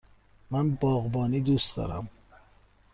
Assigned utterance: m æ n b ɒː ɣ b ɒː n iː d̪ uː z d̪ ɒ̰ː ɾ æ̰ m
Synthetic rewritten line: m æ n b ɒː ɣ b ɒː n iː d̪ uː s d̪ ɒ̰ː ɾ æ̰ m